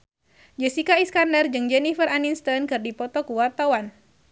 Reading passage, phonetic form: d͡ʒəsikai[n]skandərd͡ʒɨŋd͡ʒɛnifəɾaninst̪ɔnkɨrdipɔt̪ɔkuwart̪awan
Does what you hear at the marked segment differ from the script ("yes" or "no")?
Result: yes